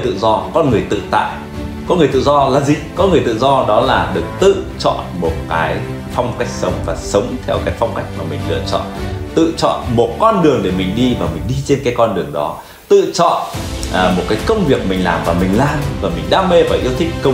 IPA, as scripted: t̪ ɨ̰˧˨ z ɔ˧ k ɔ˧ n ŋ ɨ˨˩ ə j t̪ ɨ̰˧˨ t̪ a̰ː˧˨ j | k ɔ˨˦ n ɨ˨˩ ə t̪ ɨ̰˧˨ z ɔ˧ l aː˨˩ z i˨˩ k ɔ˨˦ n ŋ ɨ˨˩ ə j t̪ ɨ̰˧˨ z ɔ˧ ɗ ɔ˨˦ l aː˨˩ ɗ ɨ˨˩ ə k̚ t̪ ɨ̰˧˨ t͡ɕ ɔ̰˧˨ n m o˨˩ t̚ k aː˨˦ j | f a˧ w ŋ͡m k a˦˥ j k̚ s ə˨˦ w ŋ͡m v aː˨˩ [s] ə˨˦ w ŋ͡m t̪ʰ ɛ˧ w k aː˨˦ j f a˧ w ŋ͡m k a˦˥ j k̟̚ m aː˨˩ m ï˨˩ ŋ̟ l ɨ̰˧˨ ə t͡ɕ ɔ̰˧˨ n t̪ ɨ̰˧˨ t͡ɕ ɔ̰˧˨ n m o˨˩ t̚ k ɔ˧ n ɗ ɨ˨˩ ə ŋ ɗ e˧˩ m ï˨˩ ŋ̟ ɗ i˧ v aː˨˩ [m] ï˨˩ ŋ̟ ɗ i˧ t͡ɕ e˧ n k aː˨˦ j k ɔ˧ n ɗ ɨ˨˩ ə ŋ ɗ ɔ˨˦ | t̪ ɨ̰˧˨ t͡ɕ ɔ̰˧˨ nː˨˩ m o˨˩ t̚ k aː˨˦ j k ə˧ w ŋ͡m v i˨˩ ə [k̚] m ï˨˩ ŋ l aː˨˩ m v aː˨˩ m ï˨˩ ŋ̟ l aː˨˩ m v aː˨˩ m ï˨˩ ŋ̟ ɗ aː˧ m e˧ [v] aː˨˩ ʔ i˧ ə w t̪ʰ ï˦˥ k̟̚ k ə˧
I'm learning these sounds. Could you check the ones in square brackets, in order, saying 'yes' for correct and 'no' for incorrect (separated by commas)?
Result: yes, yes, yes, yes